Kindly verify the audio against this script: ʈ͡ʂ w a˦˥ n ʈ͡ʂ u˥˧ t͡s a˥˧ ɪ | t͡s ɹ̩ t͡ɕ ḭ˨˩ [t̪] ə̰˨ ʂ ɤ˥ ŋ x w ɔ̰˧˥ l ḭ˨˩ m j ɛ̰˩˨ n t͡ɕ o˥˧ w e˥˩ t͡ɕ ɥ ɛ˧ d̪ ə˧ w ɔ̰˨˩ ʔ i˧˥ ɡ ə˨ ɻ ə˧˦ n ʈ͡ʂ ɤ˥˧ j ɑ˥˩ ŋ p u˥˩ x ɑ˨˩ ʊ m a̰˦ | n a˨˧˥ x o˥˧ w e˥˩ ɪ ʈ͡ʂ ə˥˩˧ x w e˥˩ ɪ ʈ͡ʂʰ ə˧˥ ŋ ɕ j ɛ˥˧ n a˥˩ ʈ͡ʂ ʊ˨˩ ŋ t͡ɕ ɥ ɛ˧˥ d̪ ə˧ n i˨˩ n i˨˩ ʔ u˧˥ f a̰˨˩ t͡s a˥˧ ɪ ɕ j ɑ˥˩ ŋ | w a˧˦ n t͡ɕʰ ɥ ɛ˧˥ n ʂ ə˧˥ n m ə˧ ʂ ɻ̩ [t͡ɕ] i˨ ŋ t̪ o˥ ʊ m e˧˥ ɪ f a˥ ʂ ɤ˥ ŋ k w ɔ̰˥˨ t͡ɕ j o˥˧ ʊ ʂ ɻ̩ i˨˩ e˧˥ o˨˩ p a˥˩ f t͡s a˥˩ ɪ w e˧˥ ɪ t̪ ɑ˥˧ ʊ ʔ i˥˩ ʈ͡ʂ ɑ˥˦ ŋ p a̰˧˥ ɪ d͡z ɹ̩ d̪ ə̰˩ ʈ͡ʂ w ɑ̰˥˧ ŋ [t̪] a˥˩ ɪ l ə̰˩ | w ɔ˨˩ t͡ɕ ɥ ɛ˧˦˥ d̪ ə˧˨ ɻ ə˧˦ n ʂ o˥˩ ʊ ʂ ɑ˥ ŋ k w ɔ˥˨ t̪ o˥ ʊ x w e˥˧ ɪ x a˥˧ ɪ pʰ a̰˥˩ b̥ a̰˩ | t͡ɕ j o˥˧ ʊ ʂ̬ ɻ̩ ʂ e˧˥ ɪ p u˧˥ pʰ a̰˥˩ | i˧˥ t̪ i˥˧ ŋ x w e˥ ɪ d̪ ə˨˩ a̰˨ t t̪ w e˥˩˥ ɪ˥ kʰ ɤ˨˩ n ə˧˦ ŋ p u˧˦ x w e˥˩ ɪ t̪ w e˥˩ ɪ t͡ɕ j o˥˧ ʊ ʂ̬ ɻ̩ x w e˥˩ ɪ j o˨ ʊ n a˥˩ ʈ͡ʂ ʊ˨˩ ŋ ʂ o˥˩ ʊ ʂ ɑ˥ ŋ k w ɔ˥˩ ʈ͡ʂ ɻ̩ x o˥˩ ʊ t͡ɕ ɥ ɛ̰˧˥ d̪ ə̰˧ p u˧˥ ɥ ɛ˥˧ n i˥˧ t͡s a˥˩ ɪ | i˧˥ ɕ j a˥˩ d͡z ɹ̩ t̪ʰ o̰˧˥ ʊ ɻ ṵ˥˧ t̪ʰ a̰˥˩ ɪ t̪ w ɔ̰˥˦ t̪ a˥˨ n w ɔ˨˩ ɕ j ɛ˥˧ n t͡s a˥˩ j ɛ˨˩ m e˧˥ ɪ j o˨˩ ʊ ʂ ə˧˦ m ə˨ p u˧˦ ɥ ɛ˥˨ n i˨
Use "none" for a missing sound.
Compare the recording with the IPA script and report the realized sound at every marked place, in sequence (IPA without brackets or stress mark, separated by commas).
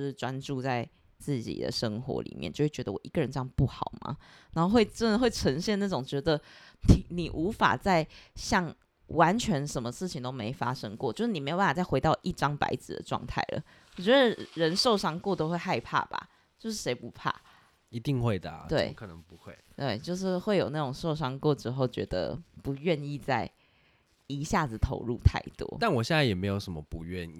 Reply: d̪, t͡ɕʰ, t̪ʰ